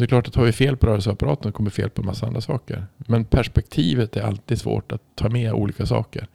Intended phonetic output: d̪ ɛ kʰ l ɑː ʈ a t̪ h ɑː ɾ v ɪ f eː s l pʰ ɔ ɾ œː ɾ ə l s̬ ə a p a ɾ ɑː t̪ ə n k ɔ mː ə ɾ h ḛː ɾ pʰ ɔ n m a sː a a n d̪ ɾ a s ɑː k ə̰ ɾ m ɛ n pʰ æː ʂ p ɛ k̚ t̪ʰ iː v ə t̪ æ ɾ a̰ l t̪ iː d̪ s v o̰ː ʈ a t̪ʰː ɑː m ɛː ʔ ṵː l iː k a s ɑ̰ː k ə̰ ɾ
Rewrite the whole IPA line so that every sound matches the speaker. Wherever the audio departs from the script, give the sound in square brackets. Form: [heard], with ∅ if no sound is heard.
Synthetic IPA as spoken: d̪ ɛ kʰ l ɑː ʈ a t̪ h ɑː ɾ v ɪ f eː [∅] l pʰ ɔ ɾ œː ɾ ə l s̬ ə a p a ɾ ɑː t̪ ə n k ɔ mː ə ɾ [f] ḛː [l] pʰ ɔ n m a sː a a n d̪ ɾ a s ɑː k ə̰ ɾ m ɛ n pʰ [æ] ʂ p ɛ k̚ t̪ʰ iː v ə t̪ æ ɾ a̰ l t̪ iː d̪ s v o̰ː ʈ a t̪ʰː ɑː m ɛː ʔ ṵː l iː k a s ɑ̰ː k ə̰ ɾ